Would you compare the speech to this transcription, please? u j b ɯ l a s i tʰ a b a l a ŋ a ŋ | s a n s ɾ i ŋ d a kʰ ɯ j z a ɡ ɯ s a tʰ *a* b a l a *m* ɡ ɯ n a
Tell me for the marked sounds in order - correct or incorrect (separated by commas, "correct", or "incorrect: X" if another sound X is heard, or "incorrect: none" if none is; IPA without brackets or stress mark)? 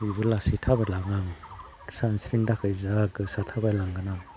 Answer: correct, incorrect: ŋ